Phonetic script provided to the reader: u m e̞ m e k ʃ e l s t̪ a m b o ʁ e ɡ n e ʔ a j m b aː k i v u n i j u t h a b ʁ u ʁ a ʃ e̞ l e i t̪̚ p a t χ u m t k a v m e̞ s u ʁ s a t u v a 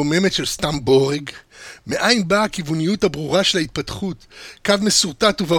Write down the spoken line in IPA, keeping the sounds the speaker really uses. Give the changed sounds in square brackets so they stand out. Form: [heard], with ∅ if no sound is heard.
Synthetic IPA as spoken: [o] m e̞ m e [t] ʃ e l s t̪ a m b o ʁ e ɡ [m] e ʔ a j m b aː k i v u n i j u t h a b ʁ u ʁ a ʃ e̞ l [a] i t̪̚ p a t χ u [∅] t k a v m e̞ s u ʁ [t] a t u v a